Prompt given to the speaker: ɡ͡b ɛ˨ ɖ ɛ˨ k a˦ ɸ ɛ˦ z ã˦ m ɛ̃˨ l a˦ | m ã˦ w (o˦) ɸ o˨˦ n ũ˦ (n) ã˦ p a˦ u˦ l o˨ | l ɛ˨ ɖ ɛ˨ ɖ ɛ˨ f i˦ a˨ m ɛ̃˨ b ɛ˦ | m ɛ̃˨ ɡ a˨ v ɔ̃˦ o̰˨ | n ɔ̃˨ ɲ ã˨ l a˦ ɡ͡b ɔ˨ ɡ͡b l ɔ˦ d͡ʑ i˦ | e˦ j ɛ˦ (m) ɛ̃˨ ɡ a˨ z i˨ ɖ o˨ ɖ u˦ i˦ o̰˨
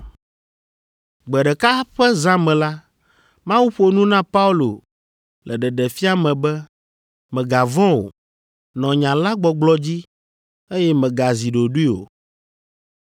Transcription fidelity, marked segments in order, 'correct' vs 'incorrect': incorrect: u˦, correct, correct

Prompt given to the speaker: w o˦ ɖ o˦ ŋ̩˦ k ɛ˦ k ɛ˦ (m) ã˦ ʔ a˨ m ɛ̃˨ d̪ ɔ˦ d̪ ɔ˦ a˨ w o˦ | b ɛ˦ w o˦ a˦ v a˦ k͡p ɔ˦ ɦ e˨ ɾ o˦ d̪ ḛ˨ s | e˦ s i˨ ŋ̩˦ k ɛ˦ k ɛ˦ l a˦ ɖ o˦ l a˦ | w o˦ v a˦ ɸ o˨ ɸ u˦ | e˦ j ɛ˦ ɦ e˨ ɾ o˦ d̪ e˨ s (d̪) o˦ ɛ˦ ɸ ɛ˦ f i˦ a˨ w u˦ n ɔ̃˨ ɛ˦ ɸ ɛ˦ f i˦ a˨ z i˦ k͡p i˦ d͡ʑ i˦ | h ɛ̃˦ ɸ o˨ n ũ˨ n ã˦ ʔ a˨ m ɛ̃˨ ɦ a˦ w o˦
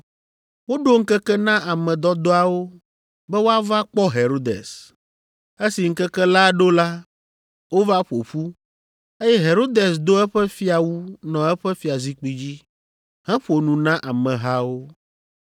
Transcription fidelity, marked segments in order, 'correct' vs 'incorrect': incorrect: n, correct

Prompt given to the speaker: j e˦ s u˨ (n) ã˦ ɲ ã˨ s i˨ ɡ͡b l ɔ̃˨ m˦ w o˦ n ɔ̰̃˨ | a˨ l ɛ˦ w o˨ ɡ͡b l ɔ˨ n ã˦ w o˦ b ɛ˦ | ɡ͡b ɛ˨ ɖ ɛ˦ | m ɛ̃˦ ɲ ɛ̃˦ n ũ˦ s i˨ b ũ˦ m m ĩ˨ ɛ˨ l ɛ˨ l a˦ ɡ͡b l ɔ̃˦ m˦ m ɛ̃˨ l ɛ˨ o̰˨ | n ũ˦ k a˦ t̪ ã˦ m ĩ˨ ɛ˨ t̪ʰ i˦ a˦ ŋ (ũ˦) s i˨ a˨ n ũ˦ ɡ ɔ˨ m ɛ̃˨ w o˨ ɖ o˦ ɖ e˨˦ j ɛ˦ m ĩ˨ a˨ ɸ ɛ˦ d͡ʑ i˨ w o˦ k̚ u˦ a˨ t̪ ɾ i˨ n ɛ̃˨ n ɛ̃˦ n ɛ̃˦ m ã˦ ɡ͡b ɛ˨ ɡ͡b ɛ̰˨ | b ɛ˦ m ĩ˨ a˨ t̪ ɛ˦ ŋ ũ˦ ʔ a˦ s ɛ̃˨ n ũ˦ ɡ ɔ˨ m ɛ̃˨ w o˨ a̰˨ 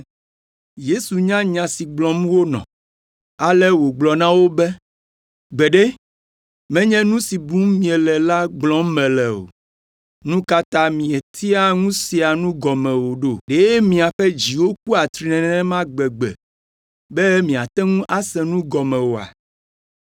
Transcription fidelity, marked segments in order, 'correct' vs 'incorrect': incorrect: ɲ, correct

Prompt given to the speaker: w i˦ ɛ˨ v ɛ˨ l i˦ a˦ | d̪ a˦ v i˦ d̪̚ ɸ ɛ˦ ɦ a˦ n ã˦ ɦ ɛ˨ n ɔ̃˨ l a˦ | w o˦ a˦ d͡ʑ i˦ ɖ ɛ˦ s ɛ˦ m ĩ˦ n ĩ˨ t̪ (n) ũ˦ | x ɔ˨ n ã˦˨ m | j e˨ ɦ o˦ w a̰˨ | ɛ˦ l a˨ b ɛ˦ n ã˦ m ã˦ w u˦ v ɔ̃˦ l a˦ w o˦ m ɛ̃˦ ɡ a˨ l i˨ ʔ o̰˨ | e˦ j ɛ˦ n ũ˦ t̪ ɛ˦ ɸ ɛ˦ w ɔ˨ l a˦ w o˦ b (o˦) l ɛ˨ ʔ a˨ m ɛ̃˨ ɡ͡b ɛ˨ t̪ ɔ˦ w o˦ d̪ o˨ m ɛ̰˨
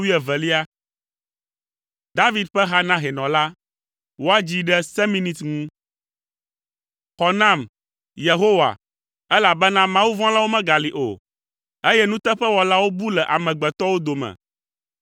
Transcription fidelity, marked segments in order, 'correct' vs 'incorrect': incorrect: ŋ, incorrect: u˦

